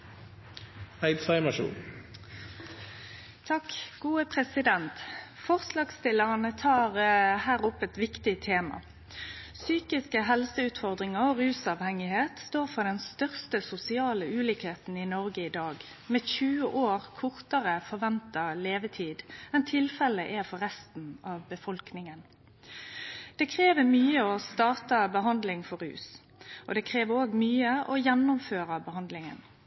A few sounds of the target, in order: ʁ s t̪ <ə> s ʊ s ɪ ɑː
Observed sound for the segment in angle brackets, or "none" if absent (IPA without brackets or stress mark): ə